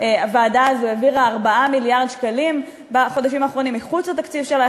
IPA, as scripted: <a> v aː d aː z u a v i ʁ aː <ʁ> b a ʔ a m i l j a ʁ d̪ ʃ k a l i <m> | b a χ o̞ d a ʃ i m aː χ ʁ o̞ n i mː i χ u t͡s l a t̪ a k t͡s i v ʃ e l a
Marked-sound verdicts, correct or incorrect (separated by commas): correct, correct, correct